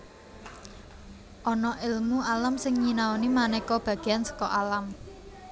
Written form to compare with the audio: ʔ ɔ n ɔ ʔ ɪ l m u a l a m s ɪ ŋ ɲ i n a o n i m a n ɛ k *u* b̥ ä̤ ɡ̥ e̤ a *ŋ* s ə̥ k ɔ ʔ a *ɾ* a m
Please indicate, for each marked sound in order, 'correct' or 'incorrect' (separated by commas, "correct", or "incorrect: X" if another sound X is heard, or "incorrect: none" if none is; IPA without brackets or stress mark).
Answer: incorrect: ɔ, incorrect: n, incorrect: l